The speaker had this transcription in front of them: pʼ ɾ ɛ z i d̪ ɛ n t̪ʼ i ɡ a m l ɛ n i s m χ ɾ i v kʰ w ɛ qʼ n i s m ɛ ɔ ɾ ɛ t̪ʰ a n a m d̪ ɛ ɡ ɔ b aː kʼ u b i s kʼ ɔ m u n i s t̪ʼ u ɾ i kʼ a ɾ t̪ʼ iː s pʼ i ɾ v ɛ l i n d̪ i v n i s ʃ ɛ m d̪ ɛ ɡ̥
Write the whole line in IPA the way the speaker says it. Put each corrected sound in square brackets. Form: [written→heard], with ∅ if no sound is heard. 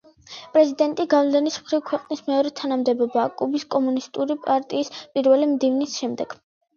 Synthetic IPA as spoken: pʼ ɾ ɛ z i d̪ ɛ n t̪ʼ i ɡ a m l ɛ n i s m χ ɾ i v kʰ w ɛ qʼ n i s m ɛ ɔ ɾ ɛ t̪ʰ a n a m d̪ ɛ [ɡ→b] ɔ b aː kʼ u b i s kʼ ɔ m u n i s t̪ʼ u ɾ i [kʼ→pʼ] a ɾ t̪ʼ iː s pʼ i ɾ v ɛ l i [n→m] d̪ i v n i s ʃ ɛ m d̪ ɛ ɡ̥